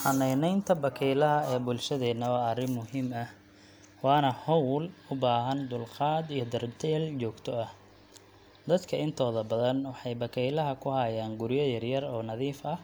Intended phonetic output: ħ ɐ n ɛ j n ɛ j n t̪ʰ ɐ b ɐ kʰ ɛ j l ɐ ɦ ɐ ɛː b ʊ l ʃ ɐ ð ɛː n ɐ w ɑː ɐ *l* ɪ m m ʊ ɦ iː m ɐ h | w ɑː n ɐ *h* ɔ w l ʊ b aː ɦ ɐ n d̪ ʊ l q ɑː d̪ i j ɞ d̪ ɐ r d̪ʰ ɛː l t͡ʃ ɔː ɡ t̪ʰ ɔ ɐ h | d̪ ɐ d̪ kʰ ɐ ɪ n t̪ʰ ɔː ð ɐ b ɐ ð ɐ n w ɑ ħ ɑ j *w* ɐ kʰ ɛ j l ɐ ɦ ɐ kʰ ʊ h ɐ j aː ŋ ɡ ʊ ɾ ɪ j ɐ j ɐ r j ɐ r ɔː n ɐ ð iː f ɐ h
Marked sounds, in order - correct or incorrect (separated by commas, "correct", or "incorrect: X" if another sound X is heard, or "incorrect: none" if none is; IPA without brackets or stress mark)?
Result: incorrect: r, correct, incorrect: b